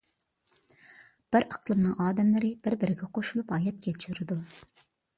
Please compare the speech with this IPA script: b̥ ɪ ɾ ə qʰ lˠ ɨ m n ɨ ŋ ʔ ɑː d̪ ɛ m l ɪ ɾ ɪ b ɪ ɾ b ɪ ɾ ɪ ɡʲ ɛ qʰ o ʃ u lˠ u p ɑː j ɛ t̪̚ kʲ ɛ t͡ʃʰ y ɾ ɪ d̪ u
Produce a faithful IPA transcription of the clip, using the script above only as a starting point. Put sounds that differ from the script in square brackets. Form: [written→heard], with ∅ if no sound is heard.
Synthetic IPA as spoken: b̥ ɪ ɾ [ə→ɑ] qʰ lˠ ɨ m n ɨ ŋ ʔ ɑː d̪ ɛ m l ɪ ɾ ɪ b ɪ ɾ b ɪ ɾ ɪ ɡʲ ɛ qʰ o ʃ u lˠ u p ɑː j ɛ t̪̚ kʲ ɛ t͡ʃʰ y ɾ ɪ d̪ u